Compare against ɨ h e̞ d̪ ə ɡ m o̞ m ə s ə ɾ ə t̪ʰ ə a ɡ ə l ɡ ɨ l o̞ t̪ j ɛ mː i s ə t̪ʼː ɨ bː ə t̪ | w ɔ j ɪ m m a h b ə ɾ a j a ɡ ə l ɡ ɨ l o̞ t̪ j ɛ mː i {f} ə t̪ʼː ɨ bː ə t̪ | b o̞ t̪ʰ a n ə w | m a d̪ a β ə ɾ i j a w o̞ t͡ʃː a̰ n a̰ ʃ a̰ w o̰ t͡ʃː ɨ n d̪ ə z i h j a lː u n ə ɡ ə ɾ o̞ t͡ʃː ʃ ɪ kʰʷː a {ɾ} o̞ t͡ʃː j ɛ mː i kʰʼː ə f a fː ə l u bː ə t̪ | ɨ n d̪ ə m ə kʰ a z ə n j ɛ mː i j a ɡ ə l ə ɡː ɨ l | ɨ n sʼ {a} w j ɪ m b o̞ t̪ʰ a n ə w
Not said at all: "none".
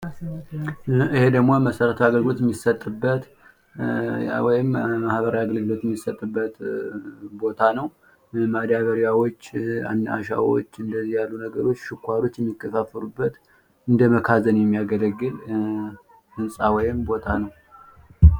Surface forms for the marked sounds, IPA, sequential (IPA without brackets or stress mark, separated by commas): s, ɾ, a